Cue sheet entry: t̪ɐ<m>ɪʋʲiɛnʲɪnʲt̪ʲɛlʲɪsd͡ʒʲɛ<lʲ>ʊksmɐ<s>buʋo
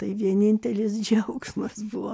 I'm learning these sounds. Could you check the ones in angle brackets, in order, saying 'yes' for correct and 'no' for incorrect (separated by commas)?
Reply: no, no, yes